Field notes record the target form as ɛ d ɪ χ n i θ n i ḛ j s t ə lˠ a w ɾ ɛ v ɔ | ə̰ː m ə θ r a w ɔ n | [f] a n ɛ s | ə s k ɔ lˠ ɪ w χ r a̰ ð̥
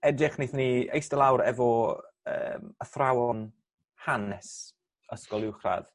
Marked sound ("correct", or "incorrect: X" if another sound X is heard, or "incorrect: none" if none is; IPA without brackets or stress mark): incorrect: h